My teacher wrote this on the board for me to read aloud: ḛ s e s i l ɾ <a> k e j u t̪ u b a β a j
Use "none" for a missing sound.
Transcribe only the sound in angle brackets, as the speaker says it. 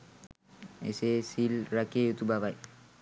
a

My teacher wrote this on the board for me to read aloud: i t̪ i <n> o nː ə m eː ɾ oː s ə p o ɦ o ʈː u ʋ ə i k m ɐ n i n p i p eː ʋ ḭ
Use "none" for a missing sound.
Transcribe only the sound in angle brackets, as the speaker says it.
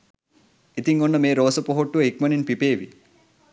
ŋ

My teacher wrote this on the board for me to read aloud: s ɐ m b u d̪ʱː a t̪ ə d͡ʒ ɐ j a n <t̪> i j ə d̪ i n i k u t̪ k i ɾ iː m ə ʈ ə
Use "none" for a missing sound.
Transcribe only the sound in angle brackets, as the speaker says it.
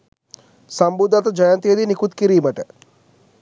t̪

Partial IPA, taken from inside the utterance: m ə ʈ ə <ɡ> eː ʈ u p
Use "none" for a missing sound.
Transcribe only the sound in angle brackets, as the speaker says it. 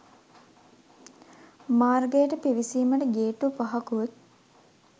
ɡ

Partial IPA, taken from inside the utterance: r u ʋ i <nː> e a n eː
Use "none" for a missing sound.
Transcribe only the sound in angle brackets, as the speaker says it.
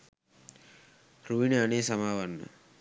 n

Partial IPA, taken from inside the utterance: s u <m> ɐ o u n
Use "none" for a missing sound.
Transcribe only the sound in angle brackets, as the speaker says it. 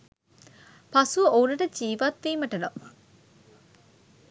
none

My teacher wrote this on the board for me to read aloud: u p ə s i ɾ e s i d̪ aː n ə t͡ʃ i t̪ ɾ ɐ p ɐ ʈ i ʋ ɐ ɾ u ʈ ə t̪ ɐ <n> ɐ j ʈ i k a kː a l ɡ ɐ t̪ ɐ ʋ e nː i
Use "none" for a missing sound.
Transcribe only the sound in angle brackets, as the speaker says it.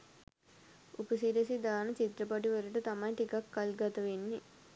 m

